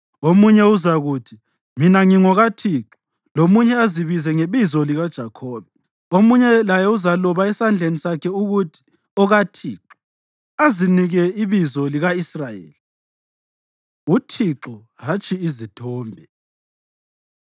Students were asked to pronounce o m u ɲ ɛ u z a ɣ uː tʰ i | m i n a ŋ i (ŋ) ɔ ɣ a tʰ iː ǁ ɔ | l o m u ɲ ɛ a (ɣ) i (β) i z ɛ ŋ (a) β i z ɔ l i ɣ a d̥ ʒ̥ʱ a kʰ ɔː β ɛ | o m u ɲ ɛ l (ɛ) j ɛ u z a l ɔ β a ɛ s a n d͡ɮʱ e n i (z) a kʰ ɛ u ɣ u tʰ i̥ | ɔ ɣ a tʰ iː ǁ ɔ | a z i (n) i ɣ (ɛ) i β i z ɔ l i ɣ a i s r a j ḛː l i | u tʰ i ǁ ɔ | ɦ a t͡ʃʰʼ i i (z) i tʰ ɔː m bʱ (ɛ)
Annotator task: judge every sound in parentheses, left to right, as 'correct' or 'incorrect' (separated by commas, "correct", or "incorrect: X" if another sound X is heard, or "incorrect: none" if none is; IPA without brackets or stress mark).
correct, incorrect: z, correct, incorrect: e, incorrect: a, incorrect: s, correct, correct, correct, correct